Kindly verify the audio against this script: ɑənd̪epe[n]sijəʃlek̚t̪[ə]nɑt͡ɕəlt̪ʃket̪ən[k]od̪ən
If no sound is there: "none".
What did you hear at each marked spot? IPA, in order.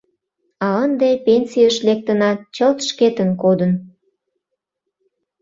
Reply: n, ə, k

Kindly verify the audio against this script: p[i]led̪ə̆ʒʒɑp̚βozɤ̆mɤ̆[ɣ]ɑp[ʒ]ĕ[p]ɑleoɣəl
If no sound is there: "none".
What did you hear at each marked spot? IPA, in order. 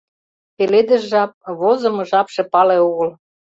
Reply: e, ʒ, ʃ, p

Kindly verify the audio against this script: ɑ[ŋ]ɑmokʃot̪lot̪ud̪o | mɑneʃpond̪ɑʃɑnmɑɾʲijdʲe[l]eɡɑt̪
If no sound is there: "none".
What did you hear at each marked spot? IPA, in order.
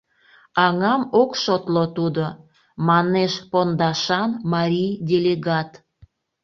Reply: ŋ, l

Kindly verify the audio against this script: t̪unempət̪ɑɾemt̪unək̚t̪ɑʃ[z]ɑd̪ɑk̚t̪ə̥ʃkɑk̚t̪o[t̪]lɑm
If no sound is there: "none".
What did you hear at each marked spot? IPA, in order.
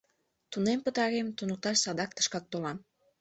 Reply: s, none

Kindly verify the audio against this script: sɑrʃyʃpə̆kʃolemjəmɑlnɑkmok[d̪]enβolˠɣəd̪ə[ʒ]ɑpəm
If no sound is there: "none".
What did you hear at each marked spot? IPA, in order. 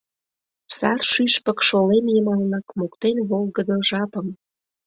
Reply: t̪, ʒ

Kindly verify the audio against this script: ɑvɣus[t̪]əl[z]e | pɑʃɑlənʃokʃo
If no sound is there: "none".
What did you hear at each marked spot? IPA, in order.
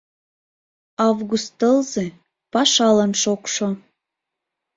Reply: t̪, z

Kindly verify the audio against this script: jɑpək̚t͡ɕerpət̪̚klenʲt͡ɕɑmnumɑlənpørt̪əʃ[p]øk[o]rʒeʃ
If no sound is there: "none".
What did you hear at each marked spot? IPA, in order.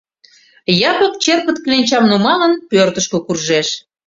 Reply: k, u

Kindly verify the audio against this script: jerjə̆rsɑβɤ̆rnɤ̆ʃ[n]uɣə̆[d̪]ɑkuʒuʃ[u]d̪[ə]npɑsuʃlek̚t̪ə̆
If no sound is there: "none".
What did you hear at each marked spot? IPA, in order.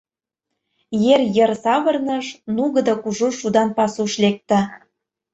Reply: n, d̪, u, ɑ

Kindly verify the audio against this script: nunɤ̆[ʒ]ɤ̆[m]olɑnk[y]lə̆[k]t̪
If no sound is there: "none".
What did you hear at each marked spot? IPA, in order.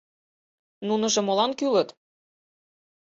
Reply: ʒ, m, y, none

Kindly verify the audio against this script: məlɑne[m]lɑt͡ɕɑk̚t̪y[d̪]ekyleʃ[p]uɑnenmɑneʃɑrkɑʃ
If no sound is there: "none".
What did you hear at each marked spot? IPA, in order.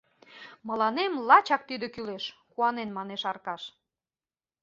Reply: m, d̪, k

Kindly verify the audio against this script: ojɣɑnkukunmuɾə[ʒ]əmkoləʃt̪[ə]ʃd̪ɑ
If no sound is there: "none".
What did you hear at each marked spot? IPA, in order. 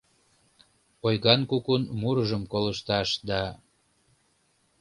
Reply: ʒ, ɑ

